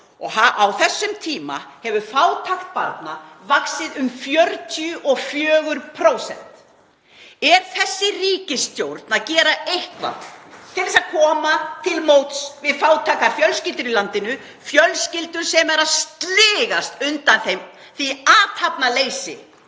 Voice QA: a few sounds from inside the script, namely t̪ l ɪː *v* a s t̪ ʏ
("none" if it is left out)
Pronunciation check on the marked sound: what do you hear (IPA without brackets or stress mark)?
ɣ